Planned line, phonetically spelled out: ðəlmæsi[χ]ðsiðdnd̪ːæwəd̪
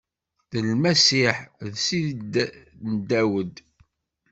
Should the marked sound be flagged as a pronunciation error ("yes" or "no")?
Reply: yes